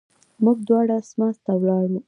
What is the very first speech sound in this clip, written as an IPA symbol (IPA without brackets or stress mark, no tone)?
m